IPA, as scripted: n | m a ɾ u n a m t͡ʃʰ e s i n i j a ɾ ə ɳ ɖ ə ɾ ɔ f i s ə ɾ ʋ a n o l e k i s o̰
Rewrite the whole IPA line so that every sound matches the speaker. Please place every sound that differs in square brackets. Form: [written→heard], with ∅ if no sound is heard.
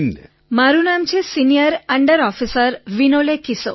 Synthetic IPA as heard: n | m a ɾ u n a m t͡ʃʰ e s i n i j [a→ə] ɾ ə ɳ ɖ ə ɾ ɔ f i s ə ɾ ʋ [a→i] n o l e k i s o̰